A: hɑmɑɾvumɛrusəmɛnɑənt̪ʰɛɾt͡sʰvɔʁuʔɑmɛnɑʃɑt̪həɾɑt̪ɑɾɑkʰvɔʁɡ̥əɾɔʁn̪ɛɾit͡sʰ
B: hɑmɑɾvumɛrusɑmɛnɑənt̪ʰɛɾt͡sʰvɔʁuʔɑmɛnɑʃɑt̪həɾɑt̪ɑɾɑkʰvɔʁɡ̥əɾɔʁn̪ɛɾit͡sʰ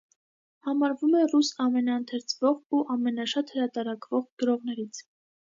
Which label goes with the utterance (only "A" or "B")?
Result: B